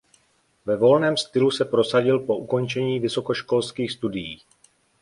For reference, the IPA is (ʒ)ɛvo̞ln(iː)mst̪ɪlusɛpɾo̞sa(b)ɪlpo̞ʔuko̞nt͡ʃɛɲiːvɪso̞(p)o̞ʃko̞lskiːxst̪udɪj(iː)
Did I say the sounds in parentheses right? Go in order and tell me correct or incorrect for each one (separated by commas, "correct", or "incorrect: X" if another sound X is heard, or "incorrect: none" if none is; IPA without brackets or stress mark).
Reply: incorrect: v, incorrect: ɛː, incorrect: ɟ, incorrect: k, correct